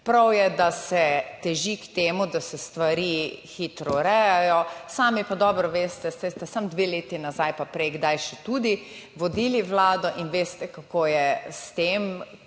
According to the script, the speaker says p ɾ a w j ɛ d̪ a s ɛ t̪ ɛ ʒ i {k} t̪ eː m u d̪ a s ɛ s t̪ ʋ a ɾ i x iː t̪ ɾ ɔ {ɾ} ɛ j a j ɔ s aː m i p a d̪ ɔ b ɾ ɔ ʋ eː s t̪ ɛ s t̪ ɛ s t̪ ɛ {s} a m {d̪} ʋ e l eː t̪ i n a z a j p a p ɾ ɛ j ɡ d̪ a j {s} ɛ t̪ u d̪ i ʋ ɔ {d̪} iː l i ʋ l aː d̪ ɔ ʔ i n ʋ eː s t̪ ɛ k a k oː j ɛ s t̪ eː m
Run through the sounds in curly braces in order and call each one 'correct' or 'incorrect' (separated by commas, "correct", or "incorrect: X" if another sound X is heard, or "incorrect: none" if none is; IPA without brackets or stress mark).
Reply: correct, correct, correct, correct, incorrect: ʃ, correct